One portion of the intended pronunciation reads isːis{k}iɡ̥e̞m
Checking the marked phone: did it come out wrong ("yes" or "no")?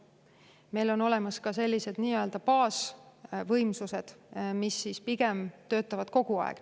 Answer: yes